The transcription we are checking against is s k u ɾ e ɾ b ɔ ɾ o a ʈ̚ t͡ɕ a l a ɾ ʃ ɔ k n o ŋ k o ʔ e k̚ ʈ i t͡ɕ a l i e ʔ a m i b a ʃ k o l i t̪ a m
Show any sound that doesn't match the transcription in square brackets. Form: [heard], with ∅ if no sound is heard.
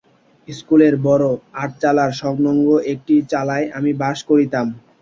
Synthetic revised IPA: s k u [l] e ɾ b ɔ ɾ o a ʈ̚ t͡ɕ a l a ɾ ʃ ɔ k n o ŋ [ɡ] o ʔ e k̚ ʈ i t͡ɕ a l [a] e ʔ a m i b a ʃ k o [ɾ] i t̪ a m